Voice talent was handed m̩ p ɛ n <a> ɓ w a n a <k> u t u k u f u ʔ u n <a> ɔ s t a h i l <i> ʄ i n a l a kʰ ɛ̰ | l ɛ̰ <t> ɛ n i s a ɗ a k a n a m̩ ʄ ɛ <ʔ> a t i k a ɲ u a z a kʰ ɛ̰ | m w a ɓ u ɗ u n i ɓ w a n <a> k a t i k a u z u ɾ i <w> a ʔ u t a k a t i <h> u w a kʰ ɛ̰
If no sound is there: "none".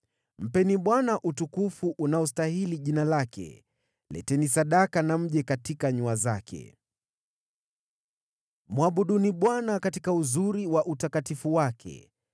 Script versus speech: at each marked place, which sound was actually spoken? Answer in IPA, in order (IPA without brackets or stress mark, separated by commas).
i, ʔ, a, i, t, k, a, w, f